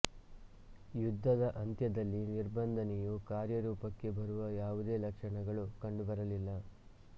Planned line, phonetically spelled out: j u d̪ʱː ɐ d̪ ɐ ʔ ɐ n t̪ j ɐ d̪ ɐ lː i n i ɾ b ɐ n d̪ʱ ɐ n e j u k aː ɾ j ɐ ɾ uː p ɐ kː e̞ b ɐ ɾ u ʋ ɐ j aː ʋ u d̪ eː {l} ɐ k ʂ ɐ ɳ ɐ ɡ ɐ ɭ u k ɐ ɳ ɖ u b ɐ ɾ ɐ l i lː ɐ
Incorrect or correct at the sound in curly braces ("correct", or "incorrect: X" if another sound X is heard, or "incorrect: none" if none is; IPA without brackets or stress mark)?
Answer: correct